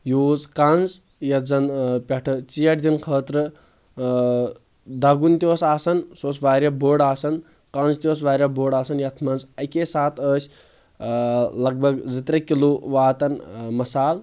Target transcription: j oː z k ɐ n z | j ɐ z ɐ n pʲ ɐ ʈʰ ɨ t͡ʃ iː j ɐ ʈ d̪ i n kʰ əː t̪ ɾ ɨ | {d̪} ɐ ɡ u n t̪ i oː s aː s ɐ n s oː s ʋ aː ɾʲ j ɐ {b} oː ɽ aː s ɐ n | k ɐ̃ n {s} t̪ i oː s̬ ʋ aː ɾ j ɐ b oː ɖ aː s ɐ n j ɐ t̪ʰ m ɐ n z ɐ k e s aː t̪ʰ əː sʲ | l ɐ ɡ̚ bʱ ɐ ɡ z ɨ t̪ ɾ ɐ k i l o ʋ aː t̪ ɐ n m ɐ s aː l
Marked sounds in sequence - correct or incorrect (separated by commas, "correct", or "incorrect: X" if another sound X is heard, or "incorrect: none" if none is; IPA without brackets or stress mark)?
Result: correct, correct, incorrect: z